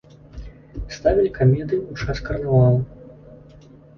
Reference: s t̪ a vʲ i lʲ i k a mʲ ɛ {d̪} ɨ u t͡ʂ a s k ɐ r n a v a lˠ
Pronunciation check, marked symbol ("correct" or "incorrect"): correct